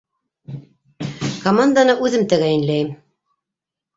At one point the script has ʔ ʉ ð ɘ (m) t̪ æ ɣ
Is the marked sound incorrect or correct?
correct